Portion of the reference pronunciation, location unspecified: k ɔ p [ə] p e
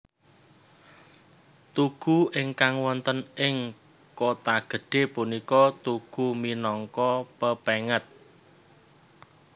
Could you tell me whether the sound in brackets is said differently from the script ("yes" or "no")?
no